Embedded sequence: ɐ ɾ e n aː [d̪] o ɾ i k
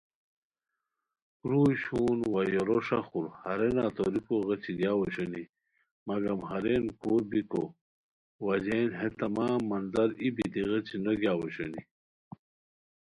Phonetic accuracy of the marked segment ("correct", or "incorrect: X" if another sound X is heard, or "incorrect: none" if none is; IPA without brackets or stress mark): incorrect: t̪